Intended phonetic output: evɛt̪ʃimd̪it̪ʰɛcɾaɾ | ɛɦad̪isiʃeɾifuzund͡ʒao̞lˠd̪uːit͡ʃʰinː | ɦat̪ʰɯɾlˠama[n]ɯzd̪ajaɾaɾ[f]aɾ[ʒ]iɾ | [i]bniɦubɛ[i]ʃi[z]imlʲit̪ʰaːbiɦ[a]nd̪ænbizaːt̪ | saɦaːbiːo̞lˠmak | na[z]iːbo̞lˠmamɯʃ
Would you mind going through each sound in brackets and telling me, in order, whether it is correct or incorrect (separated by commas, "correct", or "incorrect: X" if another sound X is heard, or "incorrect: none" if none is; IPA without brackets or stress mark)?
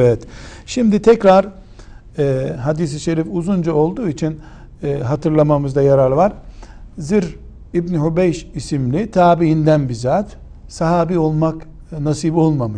incorrect: m, incorrect: v, incorrect: z, correct, incorrect: j, incorrect: s, incorrect: i, incorrect: s